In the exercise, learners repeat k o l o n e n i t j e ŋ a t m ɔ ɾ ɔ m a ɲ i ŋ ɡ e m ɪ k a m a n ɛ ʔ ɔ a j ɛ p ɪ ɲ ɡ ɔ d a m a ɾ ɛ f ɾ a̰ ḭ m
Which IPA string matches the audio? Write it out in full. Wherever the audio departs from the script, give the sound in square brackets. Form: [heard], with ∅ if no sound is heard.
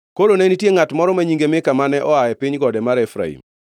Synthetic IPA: k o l o n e n i t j e ŋ a t m ɔ ɾ ɔ m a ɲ i ŋ ɡ e m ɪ k a m a n ɛ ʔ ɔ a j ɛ p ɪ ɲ ɡ ɔ d [ɛ] m a ɾ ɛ f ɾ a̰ ḭ m